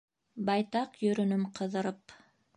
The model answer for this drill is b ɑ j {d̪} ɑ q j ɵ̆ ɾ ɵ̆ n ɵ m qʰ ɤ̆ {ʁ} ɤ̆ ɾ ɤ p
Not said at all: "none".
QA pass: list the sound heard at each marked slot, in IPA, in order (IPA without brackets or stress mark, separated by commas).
t̪, ð